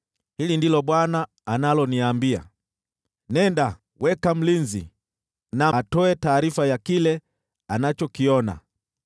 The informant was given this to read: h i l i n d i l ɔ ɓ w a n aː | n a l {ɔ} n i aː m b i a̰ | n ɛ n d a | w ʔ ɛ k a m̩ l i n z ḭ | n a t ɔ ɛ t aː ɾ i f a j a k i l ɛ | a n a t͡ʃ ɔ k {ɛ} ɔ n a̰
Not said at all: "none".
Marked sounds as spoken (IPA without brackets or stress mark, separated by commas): ɔ, i